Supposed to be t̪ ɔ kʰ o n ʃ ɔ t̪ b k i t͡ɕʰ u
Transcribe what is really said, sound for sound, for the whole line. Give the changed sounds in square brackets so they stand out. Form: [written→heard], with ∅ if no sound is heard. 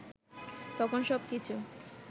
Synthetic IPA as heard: t̪ ɔ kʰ o n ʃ ɔ [t̪→∅] b k i t͡ɕʰ u